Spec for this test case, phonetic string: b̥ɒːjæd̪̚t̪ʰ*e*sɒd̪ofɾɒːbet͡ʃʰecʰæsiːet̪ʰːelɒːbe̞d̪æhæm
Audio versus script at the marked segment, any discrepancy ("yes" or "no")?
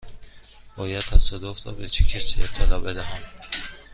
yes